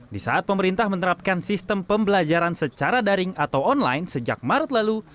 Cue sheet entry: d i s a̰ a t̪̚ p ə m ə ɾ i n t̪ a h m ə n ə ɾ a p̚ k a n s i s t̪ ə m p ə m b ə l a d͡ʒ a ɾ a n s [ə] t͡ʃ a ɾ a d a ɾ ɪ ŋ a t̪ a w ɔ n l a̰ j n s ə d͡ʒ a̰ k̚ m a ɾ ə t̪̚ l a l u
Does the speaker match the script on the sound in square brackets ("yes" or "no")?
yes